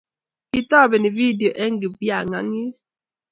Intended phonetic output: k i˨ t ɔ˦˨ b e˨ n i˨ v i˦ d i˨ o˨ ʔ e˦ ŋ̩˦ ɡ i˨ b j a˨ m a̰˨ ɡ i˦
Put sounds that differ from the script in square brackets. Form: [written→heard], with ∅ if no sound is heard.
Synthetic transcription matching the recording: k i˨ t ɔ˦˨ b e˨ n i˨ v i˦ d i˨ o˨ ʔ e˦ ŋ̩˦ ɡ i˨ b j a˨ [m→ŋ] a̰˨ [ɡ→ŋ] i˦